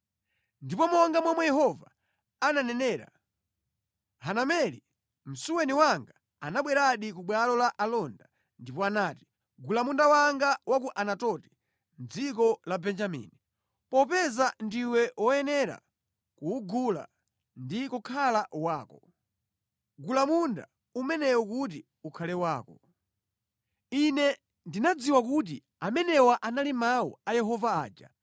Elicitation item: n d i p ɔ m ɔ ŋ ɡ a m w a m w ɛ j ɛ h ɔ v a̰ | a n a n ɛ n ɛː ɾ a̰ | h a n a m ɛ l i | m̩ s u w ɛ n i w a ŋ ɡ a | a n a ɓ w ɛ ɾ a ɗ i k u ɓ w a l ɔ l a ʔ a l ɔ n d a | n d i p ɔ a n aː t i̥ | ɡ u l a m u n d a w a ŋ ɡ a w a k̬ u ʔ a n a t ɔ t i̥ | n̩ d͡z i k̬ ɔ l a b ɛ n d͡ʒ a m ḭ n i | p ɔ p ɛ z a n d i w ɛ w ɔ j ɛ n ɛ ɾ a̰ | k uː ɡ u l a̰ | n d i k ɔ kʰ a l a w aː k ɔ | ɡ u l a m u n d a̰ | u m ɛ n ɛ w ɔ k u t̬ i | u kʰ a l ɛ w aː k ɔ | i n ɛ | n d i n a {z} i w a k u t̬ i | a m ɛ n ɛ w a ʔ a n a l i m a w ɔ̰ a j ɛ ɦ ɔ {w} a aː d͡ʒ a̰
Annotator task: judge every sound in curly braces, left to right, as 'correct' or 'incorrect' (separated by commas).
incorrect, incorrect